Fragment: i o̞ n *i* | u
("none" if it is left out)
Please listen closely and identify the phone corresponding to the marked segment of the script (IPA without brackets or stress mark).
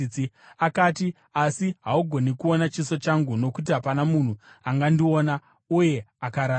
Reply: a